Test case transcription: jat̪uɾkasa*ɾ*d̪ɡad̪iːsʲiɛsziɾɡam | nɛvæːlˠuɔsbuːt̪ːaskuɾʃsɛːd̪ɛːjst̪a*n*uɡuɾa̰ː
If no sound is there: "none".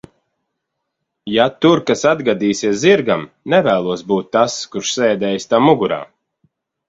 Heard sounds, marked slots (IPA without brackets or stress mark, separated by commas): none, m